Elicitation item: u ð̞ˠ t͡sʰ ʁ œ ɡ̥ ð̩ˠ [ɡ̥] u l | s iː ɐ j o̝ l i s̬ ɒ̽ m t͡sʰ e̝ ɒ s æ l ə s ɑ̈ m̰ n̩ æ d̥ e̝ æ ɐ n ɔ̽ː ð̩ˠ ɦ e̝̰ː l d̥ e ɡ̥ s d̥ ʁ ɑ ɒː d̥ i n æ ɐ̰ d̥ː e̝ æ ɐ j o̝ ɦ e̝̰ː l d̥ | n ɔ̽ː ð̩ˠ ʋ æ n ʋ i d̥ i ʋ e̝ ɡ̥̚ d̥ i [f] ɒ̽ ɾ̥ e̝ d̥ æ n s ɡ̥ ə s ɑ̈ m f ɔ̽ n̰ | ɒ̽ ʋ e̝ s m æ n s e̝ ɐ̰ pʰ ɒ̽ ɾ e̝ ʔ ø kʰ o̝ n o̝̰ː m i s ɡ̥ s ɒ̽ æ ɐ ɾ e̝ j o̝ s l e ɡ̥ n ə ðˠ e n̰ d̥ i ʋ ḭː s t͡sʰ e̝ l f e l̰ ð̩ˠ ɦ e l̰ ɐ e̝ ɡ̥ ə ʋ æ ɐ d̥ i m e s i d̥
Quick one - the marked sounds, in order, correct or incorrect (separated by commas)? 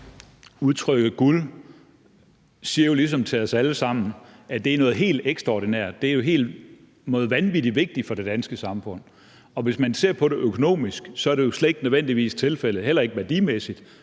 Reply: correct, correct